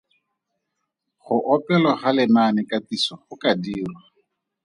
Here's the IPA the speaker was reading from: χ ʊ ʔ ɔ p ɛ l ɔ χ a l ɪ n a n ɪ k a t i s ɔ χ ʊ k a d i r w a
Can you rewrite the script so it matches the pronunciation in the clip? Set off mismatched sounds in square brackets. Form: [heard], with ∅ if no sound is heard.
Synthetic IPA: χ ʊ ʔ ɔ p ɛ l ɔ χ a l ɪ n a n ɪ k a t i s ɔ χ ʊ k a d [iː] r w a